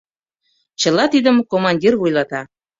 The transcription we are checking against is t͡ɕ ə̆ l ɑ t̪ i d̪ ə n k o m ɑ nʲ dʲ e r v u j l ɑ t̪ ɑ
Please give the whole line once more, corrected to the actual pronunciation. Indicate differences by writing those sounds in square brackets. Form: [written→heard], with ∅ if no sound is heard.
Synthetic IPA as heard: t͡ɕ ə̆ l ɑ t̪ i d̪ ə [n→m] k o m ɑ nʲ dʲ [e→i] r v u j l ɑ t̪ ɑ